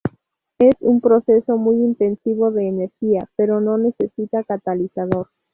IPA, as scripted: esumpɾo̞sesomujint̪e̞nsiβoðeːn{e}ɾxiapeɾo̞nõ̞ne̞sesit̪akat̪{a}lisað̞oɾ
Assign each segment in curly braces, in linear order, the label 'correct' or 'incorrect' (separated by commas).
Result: correct, correct